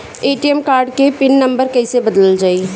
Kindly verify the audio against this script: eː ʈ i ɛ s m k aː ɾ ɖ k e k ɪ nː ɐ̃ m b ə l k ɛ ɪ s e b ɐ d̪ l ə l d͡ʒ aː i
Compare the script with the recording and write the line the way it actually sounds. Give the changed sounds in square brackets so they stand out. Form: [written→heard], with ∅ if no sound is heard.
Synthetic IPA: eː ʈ i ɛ [s→∅] m k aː ɾ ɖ k e [k→p] ɪ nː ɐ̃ m b ə [l→ɾ] k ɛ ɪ s e b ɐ d̪ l ə l d͡ʒ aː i